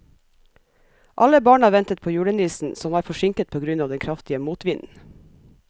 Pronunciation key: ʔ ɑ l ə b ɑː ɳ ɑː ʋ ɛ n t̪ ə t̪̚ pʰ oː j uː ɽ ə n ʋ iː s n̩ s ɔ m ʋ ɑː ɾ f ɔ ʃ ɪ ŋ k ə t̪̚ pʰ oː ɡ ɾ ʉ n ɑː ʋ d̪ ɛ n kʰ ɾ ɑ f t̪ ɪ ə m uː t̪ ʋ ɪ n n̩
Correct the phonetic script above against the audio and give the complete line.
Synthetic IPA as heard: ʔ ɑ l ə b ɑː ɳ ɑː ʋ ɛ n t̪ ə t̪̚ pʰ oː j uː ɽ ə n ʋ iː s n̩ s ɔ m ʋ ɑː ɾ f ɔ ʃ ɪ ŋ k ə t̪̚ pʰ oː ɡ ɾ ʉ n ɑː ʋ d̪ ɛ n kʰ ɾ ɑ f t̪ ɪ ə m uː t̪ ʋ ɪ n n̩